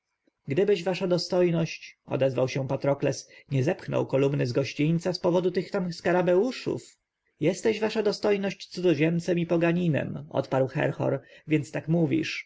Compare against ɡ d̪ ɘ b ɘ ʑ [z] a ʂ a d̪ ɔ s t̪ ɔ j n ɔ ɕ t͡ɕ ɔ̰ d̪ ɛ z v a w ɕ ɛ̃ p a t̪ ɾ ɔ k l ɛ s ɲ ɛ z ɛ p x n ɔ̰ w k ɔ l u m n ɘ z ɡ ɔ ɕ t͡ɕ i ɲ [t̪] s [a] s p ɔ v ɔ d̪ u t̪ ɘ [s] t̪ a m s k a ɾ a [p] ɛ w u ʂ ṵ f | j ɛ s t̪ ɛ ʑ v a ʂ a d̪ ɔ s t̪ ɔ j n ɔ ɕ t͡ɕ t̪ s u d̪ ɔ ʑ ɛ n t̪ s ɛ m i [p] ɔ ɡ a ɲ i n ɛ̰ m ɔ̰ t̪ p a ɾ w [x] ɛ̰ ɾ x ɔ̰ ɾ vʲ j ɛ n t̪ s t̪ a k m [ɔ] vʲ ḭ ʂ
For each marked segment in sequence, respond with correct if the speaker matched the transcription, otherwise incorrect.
incorrect: v, correct, correct, incorrect: x, incorrect: b, correct, correct, incorrect: u

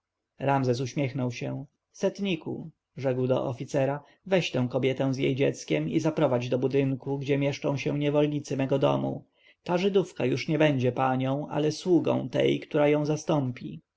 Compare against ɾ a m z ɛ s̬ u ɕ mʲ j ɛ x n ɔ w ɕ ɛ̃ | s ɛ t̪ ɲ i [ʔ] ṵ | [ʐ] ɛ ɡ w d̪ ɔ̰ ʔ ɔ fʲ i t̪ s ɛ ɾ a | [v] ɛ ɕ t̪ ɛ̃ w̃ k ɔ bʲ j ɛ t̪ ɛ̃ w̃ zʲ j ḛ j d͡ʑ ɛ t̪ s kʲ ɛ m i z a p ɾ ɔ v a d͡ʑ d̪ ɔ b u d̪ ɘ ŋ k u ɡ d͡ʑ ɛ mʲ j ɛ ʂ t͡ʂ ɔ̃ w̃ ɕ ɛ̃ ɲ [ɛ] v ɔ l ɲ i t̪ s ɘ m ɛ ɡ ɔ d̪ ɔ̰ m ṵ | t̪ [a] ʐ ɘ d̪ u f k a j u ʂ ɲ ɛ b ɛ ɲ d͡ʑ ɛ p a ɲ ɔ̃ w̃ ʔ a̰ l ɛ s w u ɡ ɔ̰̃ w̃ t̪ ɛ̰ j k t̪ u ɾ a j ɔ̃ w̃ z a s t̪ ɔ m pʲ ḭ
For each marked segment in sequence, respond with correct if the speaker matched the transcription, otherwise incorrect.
incorrect: k, correct, correct, correct, correct

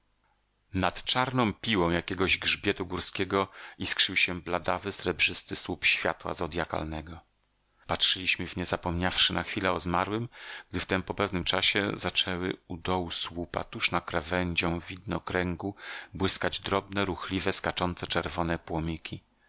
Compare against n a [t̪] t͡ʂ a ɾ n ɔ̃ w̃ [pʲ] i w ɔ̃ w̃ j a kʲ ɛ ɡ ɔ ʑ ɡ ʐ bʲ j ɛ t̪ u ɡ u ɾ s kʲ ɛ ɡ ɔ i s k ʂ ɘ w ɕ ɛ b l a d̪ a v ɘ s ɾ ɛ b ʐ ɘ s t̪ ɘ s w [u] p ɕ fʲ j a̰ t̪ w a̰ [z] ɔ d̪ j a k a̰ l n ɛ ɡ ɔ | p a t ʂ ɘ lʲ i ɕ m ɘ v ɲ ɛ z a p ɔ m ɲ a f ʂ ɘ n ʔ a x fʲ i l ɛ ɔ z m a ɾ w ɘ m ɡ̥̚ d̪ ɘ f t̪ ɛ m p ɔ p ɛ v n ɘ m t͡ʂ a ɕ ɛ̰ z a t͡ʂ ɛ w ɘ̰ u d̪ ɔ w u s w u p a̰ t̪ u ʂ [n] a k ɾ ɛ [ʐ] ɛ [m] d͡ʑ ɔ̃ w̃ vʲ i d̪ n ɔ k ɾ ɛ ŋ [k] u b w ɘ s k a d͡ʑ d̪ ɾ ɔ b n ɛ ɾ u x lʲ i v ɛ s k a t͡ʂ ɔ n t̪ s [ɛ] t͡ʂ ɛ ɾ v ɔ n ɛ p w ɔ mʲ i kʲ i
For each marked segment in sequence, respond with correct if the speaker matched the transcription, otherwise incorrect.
correct, correct, correct, correct, correct, incorrect: v, incorrect: ɲ, incorrect: ɡ, correct

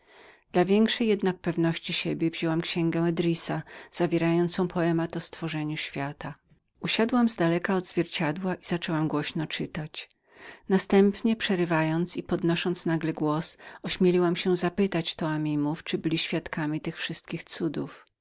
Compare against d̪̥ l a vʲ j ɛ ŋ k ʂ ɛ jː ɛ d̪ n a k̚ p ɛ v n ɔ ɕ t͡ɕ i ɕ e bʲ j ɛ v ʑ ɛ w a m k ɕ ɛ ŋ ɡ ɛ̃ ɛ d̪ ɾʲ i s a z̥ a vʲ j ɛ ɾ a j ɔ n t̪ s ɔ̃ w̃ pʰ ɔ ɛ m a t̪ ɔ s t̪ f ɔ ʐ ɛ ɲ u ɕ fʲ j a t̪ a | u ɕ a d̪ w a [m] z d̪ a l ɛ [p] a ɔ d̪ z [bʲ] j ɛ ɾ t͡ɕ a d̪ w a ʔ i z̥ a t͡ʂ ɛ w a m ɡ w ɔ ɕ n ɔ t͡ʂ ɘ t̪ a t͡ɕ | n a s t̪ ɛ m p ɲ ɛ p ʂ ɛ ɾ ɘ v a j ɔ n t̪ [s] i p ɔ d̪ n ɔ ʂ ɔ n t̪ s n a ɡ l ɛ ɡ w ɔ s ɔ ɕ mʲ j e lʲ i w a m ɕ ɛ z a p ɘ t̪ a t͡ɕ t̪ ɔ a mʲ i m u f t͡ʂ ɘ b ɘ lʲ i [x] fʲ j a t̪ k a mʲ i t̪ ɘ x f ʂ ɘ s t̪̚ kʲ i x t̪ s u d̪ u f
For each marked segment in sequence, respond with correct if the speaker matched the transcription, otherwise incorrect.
correct, incorrect: k, incorrect: vʲ, correct, incorrect: ɕ

